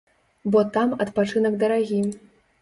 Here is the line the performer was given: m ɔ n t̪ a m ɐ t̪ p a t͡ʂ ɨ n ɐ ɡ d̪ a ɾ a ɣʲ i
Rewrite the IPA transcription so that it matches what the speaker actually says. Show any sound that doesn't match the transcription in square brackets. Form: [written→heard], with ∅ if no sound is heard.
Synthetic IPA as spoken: [m→b] ɔ [n→∅] t̪ a m ɐ t̪ p a t͡ʂ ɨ n ɐ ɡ d̪ [a→ɐ] ɾ a ɣʲ i

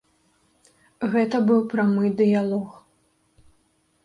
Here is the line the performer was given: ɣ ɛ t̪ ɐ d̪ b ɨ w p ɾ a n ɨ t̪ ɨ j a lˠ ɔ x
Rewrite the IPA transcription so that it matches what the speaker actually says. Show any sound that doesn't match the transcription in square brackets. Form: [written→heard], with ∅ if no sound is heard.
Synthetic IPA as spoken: ɣ ɛ t̪ ɐ [d̪→∅] b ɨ w p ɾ a [n→m] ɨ [t̪→d̪] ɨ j a lˠ ɔ x

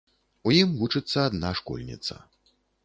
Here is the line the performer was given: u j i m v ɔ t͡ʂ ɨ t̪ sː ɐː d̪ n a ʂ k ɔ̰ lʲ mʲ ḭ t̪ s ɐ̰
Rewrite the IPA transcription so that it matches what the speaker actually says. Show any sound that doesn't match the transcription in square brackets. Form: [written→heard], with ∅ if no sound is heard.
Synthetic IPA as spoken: u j i m v [ɔ→u] t͡ʂ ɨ t̪ sː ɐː d̪ n a ʂ k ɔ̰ lʲ [mʲ→nʲ] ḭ t̪ s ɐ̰

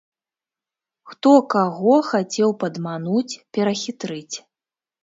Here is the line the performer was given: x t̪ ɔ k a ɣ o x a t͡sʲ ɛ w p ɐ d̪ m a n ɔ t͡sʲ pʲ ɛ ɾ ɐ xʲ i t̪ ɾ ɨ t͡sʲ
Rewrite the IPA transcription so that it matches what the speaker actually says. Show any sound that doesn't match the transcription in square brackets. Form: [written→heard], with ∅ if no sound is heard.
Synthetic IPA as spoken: x t̪ ɔ k a ɣ [o→ɔ] x a t͡sʲ ɛ w p ɐ d̪ m a n [ɔ→u] t͡sʲ pʲ ɛ ɾ ɐ xʲ i t̪ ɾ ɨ t͡sʲ

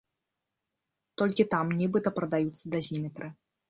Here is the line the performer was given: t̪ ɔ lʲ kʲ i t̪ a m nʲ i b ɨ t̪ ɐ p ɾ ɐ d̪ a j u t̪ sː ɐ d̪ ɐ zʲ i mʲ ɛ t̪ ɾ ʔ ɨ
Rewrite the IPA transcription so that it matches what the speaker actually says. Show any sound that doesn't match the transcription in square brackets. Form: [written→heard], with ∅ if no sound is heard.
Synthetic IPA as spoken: t̪ ɔ lʲ kʲ i t̪ a m nʲ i b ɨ t̪ ɐ p ɾ ɐ d̪ a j u t̪ sː ɐ d̪ ɐ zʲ i mʲ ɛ t̪ ɾ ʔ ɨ

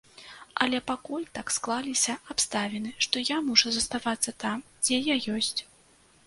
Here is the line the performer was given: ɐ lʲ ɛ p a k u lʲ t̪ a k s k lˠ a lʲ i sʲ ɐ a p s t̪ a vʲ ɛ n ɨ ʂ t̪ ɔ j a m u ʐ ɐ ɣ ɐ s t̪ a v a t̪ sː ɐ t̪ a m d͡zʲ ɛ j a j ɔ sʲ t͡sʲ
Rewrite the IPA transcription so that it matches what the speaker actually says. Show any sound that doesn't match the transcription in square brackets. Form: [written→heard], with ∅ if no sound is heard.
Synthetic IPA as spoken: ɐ lʲ ɛ p a k u lʲ t̪ a k s k lˠ a lʲ i sʲ ɐ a p s t̪ a vʲ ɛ n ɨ ʂ t̪ ɔ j a m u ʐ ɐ [ɣ→z] ɐ s t̪ a v a t̪ sː ɐ t̪ a m d͡zʲ ɛ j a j ɔ sʲ t͡sʲ

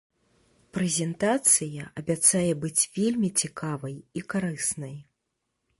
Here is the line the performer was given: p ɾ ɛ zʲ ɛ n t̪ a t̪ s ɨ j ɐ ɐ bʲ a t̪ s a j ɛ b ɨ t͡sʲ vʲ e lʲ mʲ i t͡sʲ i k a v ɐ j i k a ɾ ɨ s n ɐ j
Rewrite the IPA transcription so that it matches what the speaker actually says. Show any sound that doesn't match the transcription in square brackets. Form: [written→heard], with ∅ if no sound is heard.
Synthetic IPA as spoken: p ɾ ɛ zʲ ɛ n t̪ a t̪ s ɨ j ɐ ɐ bʲ a t̪ s a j ɛ b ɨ t͡sʲ vʲ e lʲ mʲ i t͡sʲ i k a v ɐ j i k a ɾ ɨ s n ɐ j

